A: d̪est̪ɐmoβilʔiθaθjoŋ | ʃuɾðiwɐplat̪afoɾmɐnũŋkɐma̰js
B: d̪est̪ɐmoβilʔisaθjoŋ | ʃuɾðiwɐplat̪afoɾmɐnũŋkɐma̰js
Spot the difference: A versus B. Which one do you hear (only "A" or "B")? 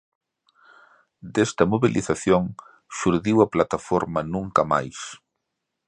A